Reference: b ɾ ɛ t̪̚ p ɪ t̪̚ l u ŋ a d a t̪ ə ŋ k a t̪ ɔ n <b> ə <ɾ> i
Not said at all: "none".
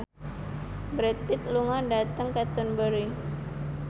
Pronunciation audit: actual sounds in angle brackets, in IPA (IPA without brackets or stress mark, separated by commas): b, ɾ